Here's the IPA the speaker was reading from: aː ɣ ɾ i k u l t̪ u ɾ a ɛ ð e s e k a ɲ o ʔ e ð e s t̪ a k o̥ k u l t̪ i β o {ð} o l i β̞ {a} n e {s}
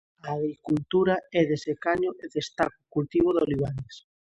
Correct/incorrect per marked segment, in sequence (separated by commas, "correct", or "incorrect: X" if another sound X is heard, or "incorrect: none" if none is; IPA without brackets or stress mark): correct, correct, correct